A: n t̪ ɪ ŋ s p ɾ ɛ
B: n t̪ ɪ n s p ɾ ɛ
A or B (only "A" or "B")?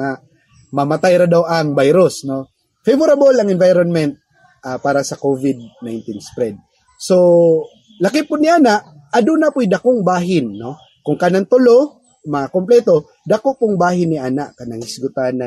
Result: B